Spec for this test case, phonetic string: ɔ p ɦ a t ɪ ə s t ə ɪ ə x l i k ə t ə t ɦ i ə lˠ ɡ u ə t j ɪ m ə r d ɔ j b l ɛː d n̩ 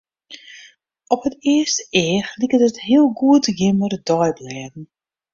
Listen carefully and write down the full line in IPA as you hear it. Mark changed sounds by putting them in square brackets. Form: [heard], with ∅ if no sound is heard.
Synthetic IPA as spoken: ɔ p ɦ [ə] t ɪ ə s t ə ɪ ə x l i k ə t ə t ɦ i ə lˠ ɡ u ə t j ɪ m ə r d ɔ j b l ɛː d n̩